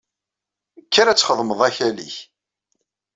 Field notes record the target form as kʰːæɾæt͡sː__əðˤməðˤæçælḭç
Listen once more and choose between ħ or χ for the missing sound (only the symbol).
χ